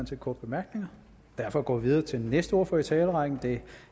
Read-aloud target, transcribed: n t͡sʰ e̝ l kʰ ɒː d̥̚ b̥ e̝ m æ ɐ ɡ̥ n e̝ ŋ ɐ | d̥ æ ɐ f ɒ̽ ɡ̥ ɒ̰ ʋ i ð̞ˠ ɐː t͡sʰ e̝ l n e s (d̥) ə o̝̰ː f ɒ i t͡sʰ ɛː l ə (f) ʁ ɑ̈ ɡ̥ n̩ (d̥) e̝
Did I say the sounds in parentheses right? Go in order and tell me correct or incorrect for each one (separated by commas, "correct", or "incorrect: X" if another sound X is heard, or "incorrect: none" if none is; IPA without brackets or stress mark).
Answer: correct, incorrect: none, correct